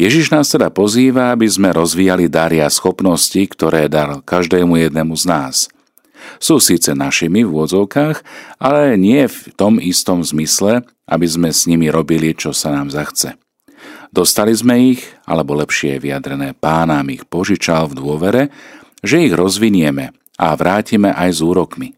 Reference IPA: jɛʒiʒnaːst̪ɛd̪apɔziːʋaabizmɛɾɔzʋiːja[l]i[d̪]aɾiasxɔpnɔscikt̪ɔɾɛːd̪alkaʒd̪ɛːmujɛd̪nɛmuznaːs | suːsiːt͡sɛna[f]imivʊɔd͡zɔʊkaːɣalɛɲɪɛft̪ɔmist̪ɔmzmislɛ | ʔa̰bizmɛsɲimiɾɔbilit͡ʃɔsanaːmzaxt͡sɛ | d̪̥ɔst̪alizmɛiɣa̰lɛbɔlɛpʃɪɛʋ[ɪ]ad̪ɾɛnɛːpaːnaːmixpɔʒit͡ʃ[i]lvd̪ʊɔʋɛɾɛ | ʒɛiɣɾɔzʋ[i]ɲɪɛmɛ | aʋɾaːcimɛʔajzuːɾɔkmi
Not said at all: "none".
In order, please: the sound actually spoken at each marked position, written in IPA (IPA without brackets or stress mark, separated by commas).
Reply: l, d̪, ʃ, i, a, i